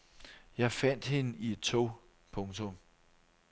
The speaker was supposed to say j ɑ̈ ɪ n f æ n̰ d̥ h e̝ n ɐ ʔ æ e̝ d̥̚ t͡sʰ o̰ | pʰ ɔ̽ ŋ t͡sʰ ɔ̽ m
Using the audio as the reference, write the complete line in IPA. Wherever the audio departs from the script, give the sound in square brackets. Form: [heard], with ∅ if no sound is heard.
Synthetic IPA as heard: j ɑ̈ ɪ [∅] f æ n̰ d̥ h e̝ n [ə] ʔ [i] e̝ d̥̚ t͡sʰ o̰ | pʰ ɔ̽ ŋ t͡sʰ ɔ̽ m